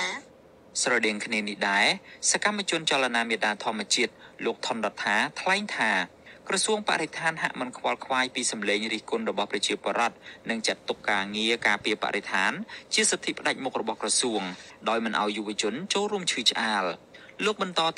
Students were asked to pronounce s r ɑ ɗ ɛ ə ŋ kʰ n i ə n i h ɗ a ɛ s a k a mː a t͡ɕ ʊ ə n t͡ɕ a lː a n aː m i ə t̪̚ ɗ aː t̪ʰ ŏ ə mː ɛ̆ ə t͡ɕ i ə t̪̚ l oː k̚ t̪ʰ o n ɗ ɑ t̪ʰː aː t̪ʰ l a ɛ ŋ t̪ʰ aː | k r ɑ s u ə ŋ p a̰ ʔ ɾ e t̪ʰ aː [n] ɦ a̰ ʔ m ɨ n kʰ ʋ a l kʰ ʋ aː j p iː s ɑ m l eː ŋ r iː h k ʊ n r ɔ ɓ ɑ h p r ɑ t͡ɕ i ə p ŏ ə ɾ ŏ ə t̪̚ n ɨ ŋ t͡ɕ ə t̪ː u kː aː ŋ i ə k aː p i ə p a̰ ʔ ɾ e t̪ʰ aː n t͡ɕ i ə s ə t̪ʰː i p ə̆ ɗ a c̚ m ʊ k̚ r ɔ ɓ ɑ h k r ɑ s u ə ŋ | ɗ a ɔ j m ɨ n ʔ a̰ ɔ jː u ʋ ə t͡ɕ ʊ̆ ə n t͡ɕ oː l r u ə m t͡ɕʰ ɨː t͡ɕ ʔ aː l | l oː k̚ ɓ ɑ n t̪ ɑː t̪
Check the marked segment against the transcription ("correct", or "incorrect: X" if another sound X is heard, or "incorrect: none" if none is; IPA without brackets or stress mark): correct